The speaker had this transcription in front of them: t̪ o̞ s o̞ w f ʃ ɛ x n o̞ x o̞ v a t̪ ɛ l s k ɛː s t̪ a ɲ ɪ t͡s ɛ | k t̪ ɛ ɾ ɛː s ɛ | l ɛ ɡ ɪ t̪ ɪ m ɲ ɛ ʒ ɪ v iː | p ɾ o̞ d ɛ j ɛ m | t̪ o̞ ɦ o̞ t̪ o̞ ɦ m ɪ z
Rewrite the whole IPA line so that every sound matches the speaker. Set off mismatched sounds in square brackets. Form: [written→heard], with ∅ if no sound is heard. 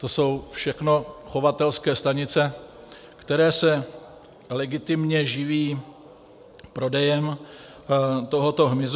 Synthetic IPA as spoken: t̪ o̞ s o̞ w f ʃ ɛ x n o̞ x o̞ v a t̪ ɛ l s k ɛː s t̪ a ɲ ɪ t͡s ɛ | k t̪ ɛ ɾ ɛː s ɛ | l ɛ ɡ ɪ t̪ ɪ m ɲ ɛ ʒ ɪ v iː | p ɾ o̞ d ɛ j ɛ m | t̪ o̞ ɦ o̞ t̪ o̞ ɦ m ɪ z

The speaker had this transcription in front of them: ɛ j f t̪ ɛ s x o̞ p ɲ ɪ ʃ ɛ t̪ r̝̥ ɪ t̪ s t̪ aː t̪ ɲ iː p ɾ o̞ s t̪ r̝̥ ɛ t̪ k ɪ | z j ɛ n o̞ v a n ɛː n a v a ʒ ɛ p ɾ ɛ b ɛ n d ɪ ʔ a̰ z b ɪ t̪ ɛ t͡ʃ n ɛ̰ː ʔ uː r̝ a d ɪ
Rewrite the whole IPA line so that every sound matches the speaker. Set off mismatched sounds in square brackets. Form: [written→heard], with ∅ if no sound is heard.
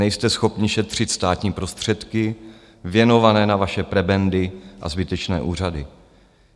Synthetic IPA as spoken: ɛ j [f→s] t̪ ɛ s x o̞ p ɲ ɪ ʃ ɛ t̪ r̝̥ ɪ t̪ s t̪ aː t̪ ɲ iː p ɾ o̞ s t̪ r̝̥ ɛ t̪ k ɪ | [z→v] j ɛ n o̞ v a n ɛː n a v a [ʒ→ʃ] ɛ p ɾ ɛ b ɛ n d ɪ ʔ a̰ z b ɪ t̪ ɛ t͡ʃ n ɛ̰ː ʔ uː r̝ a d ɪ

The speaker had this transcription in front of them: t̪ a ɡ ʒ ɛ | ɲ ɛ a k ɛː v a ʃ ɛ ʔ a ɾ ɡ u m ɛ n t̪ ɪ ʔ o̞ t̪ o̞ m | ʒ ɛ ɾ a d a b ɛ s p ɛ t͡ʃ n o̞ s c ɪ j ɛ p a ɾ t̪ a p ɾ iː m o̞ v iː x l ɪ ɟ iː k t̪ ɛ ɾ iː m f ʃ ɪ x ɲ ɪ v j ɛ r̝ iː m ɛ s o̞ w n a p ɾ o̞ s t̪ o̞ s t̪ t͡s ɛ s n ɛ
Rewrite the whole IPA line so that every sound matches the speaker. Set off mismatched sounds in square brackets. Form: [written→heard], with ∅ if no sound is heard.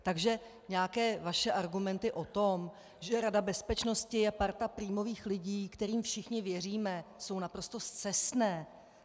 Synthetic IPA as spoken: t̪ a ɡ ʒ ɛ | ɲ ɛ a k ɛː v a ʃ ɛ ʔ a ɾ ɡ u m ɛ n t̪ ɪ ʔ o̞ t̪ o̞ m | ʒ ɛ ɾ a d a b ɛ s p ɛ t͡ʃ n o̞ s c ɪ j ɛ p a ɾ t̪ a p ɾ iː m o̞ v iː x l ɪ ɟ iː k t̪ ɛ ɾ iː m f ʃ ɪ x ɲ ɪ v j ɛ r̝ iː m ɛ s o̞ w n a p ɾ o̞ s t̪ o̞ s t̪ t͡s ɛ s n [ɛ→ɛː]

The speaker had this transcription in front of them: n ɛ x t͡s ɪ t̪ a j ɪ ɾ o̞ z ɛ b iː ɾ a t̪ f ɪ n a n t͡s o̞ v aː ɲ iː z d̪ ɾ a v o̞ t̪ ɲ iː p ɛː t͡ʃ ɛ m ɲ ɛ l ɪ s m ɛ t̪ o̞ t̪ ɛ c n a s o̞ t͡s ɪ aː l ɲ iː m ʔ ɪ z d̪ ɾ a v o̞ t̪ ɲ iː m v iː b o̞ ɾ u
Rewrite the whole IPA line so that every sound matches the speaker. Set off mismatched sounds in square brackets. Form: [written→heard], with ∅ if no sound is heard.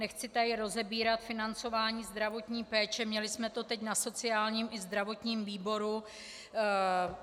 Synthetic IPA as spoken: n ɛ x t͡s ɪ t̪ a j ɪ ɾ o̞ z ɛ b iː ɾ a t̪ f ɪ n a n t͡s o̞ v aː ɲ iː z d̪ ɾ a v o̞ t̪ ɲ iː p ɛː t͡ʃ ɛ m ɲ ɛ l ɪ s m ɛ t̪ o̞ t̪ ɛ c n a s o̞ t͡s ɪ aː l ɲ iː m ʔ ɪ z d̪ ɾ a v o̞ t̪ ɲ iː m v iː b o̞ ɾ u

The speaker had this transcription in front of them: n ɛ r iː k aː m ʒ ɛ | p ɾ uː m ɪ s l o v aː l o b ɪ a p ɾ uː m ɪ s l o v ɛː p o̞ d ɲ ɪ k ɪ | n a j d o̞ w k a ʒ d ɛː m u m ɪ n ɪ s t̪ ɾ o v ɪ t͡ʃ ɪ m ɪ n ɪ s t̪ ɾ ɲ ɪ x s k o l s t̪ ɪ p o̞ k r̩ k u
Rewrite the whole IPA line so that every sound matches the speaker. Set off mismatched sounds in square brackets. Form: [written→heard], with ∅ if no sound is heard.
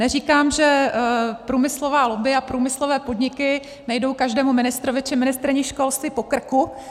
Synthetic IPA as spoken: n ɛ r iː k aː m ʒ ɛ | p ɾ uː m ɪ s l o v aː l o b ɪ a p ɾ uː m ɪ s l o v ɛː p o̞ d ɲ ɪ k ɪ | n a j d o̞ w k a ʒ d ɛː m u m ɪ n ɪ s t̪ ɾ o v ɪ t͡ʃ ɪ m ɪ n ɪ s t̪ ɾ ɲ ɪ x [s→ʃ] k o l s t̪ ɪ p o̞ k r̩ k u

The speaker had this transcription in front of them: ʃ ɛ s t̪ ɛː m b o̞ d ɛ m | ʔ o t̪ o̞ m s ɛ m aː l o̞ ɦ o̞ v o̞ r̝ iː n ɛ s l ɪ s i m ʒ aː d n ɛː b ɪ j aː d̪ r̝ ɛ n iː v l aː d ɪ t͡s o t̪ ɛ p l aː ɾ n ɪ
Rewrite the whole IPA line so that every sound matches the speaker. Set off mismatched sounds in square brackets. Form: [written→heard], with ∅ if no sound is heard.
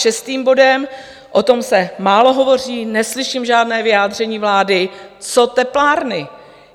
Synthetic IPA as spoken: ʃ ɛ s t̪ [ɛː→iː] m b o̞ d ɛ m | ʔ o t̪ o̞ m s ɛ m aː l o̞ ɦ o̞ v o̞ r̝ iː n ɛ s l ɪ [s→ʃ] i m ʒ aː d n ɛː [b→v] ɪ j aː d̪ r̝ ɛ [n→ɲ] iː v l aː d ɪ t͡s o t̪ ɛ p l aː ɾ n ɪ

